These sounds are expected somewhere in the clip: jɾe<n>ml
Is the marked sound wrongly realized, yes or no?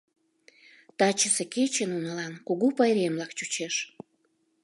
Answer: yes